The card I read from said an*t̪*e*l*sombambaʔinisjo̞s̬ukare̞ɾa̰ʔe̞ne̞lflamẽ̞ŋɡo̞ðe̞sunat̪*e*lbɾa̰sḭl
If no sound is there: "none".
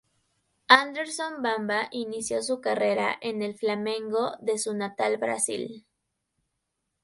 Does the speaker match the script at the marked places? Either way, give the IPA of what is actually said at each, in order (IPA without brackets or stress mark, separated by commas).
d̪, ɾ, a